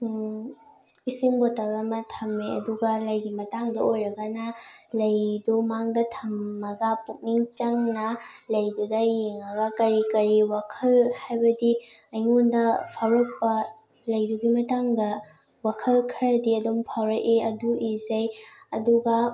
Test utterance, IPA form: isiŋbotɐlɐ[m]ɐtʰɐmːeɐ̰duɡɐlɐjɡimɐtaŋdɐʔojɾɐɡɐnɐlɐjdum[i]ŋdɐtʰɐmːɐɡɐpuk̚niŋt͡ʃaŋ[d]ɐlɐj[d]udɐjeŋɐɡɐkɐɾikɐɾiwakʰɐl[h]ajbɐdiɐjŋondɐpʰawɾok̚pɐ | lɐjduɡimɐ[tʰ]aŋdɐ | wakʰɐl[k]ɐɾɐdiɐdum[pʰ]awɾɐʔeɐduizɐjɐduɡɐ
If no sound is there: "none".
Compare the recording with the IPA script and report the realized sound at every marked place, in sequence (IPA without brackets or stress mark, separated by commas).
m, a, n, d, h, t, kʰ, pʰ